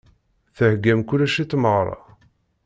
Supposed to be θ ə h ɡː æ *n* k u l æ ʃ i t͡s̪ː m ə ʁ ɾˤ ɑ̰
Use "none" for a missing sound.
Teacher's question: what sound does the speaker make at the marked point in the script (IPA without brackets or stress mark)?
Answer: m